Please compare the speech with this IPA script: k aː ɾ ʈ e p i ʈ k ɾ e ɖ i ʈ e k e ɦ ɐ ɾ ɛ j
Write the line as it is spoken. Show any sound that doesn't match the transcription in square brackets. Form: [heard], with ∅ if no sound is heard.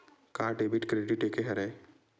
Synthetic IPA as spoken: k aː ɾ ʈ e [b] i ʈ k ɾ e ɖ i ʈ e k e ɦ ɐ ɾ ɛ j